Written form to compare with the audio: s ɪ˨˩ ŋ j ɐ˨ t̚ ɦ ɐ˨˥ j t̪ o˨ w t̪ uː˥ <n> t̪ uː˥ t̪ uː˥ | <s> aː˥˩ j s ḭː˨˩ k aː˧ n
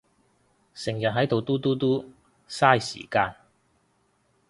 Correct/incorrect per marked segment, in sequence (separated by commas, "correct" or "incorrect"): incorrect, correct